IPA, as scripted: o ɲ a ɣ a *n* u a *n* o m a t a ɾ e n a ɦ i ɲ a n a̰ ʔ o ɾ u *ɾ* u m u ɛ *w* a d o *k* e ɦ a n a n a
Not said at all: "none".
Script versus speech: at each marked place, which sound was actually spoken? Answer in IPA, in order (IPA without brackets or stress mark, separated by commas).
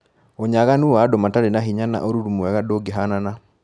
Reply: n, d, ɾ, ɣ, ɡ